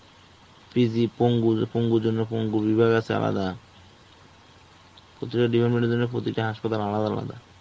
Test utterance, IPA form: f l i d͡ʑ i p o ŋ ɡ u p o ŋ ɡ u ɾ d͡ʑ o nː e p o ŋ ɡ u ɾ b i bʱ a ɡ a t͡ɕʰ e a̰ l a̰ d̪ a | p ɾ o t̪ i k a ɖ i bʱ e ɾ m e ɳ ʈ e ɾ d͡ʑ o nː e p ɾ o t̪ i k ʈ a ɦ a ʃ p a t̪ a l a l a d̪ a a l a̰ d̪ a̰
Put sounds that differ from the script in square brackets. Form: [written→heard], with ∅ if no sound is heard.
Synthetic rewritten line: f [l→ɾ] i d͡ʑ i p o ŋ ɡ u p o ŋ ɡ u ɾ d͡ʑ o nː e p o ŋ ɡ u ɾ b i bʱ a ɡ a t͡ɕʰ e a̰ l a̰ d̪ a | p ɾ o t̪ i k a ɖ i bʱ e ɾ m e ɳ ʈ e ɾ d͡ʑ o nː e p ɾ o t̪ i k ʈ a ɦ a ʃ p a t̪ a l a l a d̪ a a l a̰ d̪ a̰